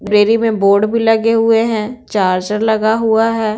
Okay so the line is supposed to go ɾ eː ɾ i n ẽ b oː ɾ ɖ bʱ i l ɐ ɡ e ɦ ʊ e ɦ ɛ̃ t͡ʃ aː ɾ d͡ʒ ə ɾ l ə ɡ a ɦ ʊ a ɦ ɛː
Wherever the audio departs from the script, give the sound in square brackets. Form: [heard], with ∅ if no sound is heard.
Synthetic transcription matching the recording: ɾ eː ɾ i [m] ẽ b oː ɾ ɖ bʱ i l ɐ ɡ e ɦ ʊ e ɦ ɛ̃ t͡ʃ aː ɾ d͡ʒ ə ɾ l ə ɡ a ɦ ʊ a ɦ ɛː